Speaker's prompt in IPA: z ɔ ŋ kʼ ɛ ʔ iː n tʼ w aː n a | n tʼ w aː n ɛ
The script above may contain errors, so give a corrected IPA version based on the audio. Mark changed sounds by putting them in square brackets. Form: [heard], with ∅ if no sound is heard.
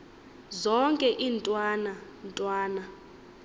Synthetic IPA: z ɔ ŋ kʼ ɛ ʔ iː n tʼ w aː n a | n tʼ w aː n [a]